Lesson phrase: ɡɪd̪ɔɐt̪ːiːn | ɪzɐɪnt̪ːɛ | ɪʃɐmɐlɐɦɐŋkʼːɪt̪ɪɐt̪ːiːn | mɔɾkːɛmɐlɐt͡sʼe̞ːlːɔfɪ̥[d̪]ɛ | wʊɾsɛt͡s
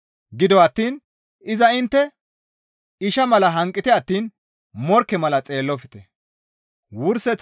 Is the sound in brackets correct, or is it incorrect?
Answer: incorrect